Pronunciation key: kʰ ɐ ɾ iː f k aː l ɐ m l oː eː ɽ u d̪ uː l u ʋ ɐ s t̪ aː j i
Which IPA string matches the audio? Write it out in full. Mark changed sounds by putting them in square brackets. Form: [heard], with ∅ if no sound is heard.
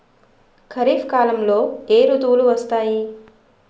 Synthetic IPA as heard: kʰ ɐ ɾ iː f k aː l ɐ m l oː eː [ɾ] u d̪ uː l u ʋ ɐ s t̪ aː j i